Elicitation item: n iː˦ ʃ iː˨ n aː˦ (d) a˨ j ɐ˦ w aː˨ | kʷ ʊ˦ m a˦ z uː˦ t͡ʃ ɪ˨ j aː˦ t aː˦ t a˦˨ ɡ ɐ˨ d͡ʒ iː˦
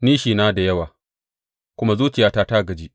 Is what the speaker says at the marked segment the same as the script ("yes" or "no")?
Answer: yes